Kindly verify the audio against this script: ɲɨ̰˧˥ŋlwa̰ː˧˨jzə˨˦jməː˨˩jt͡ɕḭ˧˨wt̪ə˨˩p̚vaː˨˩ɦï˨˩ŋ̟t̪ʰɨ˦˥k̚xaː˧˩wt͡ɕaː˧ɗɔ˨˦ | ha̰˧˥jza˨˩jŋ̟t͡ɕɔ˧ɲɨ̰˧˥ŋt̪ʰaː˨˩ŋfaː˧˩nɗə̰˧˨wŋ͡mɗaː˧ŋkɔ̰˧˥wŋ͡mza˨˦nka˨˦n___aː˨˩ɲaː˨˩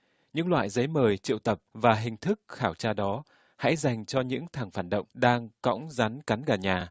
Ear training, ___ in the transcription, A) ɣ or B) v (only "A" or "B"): A